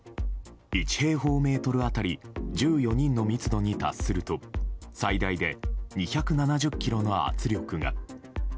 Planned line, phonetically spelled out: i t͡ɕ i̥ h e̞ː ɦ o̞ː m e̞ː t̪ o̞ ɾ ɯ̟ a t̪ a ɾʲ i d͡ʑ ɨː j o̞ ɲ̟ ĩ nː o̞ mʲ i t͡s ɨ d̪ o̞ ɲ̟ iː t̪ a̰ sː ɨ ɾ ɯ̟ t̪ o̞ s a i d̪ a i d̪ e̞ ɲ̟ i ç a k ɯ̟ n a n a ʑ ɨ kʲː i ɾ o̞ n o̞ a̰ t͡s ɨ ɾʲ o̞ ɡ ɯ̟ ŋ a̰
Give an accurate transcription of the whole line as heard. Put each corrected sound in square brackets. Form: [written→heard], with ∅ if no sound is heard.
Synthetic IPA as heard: i t͡ɕ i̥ h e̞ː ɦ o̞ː m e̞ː t̪ o̞ ɾ ɯ̟ a t̪ a ɾʲ i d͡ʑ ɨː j o̞ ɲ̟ ĩ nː o̞ mʲ i t͡s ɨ d̪ o̞ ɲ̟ [iː→i] t̪ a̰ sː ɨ ɾ ɯ̟ t̪ o̞ s a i d̪ a i d̪ e̞ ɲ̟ i ç a k ɯ̟ n a n a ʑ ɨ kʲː i ɾ o̞ n o̞ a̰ t͡s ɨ ɾʲ o̞ [ɡ→k] ɯ̟ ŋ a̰

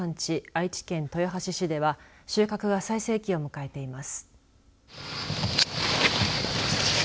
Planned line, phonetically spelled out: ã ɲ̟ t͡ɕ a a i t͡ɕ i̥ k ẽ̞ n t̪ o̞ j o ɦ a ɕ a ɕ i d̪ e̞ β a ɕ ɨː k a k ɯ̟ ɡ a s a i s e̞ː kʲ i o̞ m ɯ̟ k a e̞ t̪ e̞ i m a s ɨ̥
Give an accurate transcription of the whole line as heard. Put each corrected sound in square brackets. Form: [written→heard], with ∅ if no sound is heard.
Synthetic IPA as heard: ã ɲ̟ t͡ɕ [a→i] a i t͡ɕ i̥ k ẽ̞ n t̪ o̞ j o ɦ a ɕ [a→i] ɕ i d̪ e̞ β a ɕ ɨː k a k ɯ̟ ɡ a s a i s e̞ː kʲ i o̞ m ɯ̟ k a e̞ t̪ e̞ i m a s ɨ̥

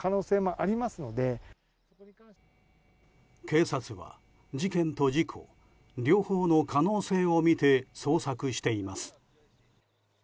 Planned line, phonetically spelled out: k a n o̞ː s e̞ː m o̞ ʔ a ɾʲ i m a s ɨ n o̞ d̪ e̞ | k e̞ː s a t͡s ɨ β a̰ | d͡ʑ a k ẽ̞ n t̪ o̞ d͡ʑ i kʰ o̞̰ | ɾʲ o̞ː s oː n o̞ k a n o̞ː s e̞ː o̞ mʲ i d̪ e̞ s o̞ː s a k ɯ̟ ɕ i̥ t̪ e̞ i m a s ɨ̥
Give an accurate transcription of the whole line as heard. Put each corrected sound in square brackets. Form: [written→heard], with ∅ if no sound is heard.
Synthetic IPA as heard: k a n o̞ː s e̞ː m o̞ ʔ a ɾʲ i m a s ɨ n o̞ d̪ e̞ | k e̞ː s a t͡s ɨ β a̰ | d͡ʑ [a→i] k ẽ̞ n t̪ o̞ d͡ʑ i kʰ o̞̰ | ɾʲ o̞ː [s→h] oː n o̞ k a n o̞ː s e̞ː o̞ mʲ i [d̪→t̪] e̞ s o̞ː s a k ɯ̟ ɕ i̥ t̪ e̞ i m a s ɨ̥

